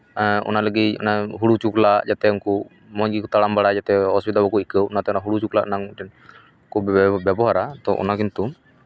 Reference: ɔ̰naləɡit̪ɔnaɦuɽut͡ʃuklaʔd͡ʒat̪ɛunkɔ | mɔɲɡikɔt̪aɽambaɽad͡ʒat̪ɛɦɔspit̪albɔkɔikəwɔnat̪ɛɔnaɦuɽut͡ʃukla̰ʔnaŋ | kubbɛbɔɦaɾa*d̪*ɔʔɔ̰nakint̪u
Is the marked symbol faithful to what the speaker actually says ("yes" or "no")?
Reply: no